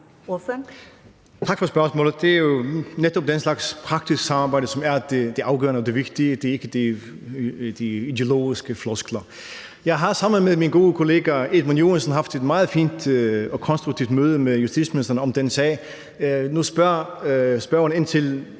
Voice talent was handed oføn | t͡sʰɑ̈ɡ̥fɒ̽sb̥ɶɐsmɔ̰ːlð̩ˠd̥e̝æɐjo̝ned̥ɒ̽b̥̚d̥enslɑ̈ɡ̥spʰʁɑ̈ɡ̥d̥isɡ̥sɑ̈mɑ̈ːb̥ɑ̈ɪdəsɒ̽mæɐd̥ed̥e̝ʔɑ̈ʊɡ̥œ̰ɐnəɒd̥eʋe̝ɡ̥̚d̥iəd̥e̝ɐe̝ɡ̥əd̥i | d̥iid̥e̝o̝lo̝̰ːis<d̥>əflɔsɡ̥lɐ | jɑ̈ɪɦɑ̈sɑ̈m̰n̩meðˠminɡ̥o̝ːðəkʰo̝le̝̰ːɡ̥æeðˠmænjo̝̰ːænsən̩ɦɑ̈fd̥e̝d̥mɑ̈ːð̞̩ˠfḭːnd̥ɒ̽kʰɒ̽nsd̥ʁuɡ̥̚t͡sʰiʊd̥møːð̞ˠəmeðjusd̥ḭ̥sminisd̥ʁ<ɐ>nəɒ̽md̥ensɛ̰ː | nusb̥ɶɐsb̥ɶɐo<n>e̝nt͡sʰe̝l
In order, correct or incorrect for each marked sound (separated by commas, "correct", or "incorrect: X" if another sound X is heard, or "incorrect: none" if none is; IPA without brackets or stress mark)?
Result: incorrect: ɡ̥, correct, correct